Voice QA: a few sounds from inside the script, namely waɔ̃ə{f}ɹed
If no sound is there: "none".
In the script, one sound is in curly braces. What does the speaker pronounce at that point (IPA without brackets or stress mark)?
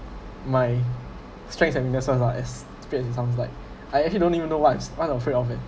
f